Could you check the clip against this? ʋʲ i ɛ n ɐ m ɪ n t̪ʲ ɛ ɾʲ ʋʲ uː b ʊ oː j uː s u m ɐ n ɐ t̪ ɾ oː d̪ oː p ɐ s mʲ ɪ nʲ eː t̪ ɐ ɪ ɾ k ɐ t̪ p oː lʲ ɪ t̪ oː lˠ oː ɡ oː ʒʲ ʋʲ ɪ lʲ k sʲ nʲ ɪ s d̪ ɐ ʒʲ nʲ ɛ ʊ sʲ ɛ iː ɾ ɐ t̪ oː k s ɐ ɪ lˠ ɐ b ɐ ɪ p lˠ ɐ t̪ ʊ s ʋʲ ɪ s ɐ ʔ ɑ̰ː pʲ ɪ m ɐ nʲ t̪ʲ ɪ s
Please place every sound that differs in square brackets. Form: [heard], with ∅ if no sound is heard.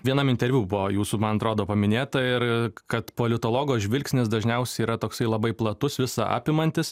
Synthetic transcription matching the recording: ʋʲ i ɛ n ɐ m ɪ n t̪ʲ ɛ ɾʲ ʋʲ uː b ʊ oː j uː s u m ɐ n ɐ t̪ ɾ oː d̪ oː p ɐ [∅] mʲ ɪ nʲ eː t̪ ɐ ɪ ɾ k ɐ t̪ p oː lʲ ɪ t̪ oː lˠ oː ɡ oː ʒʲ ʋʲ ɪ lʲ k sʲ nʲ ɪ s d̪ ɐ ʒʲ nʲ ɛ ʊ sʲ ɛ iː ɾ ɐ t̪ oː k s ɐ ɪ lˠ ɐ b ɐ ɪ p lˠ ɐ t̪ ʊ s ʋʲ ɪ s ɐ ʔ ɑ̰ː pʲ ɪ m ɐ nʲ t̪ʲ ɪ s